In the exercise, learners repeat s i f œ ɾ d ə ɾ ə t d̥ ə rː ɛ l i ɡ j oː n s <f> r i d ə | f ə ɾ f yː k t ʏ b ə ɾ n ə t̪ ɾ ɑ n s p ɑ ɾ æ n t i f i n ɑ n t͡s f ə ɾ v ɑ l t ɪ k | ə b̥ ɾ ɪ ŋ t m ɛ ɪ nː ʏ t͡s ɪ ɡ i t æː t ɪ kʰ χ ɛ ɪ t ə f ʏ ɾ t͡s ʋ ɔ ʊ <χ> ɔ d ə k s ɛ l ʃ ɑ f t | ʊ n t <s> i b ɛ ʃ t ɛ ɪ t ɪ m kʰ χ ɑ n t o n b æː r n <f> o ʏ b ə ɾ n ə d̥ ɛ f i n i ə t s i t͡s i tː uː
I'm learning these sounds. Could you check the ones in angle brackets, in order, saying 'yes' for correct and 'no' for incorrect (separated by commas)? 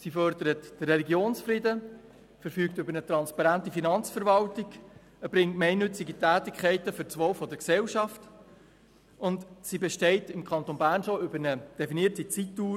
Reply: yes, no, yes, no